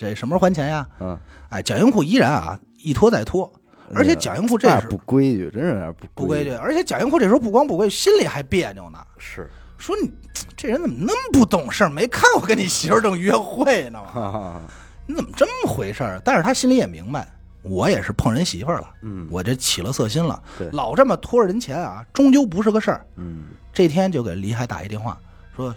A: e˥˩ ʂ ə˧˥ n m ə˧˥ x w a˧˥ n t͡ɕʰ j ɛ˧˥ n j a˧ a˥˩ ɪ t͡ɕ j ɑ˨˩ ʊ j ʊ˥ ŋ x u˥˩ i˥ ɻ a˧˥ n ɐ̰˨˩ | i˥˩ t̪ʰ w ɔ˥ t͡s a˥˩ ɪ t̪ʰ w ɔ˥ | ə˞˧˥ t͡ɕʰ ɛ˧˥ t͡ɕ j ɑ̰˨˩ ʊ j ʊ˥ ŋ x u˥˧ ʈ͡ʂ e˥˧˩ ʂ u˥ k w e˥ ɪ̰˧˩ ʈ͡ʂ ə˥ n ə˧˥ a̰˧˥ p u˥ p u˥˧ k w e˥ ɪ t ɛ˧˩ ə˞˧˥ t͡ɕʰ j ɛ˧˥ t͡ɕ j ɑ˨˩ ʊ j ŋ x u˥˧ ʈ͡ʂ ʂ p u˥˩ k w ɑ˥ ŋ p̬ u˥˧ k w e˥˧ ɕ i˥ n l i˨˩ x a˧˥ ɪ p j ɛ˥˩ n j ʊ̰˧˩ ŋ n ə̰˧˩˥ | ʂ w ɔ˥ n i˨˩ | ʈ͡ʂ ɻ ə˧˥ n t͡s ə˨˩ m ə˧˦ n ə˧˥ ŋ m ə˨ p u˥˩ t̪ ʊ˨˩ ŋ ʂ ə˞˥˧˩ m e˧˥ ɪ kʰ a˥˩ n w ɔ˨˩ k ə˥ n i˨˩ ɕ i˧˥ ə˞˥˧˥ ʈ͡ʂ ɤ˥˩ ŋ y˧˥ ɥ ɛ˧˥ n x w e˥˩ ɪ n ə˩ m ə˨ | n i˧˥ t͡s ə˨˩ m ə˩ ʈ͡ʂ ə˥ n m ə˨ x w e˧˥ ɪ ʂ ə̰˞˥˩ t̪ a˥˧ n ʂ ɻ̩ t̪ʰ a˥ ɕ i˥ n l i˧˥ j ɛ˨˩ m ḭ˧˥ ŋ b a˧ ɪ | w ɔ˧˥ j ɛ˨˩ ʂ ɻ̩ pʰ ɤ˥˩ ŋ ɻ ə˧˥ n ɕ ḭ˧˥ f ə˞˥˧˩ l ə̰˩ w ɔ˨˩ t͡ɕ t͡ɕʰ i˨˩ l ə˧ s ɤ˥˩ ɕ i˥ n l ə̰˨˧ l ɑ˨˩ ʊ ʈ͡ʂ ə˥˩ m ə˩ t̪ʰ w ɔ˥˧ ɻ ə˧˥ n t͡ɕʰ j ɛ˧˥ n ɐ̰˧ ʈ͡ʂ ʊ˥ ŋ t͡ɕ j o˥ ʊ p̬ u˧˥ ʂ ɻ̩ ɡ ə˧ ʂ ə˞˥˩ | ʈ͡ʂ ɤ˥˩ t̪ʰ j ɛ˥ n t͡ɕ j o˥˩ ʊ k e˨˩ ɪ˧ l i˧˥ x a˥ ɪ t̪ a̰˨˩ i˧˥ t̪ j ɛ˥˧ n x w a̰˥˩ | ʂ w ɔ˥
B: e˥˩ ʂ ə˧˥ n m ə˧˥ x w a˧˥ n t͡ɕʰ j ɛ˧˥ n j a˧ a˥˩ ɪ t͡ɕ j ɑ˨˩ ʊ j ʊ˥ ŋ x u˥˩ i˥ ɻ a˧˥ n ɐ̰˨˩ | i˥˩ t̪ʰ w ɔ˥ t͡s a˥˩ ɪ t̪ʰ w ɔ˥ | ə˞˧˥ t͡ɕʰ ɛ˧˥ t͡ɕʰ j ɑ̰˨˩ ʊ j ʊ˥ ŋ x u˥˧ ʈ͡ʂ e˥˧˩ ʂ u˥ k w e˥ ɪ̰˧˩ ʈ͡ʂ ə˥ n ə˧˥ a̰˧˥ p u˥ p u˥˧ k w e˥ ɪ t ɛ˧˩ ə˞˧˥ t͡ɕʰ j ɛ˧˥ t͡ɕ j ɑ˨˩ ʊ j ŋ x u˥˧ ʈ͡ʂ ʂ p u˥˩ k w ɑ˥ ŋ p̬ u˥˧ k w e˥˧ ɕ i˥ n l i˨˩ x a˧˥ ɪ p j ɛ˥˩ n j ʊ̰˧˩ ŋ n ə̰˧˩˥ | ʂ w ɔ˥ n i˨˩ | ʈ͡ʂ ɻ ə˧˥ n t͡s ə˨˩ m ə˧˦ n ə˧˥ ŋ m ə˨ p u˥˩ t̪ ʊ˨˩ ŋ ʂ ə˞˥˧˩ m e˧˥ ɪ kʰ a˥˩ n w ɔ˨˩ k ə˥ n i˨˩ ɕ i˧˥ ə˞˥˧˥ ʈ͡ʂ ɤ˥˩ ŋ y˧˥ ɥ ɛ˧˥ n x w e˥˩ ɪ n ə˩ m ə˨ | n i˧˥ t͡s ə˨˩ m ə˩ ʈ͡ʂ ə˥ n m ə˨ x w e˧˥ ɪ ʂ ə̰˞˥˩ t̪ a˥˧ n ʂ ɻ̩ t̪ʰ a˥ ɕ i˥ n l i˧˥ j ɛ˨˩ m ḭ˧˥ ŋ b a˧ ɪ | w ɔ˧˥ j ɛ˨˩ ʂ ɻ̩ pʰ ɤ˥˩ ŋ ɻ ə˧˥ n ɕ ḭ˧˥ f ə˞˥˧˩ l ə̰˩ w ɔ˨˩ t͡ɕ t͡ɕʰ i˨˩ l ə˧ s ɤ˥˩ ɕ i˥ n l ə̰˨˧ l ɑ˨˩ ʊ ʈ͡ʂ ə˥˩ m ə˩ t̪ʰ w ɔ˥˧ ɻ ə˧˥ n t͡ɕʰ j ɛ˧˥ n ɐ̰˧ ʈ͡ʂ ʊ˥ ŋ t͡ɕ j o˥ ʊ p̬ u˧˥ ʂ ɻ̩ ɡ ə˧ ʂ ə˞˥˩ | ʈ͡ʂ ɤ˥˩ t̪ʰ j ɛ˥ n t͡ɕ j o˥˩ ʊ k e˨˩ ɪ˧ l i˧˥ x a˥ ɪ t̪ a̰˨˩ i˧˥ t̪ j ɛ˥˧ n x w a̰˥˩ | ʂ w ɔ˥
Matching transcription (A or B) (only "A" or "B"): A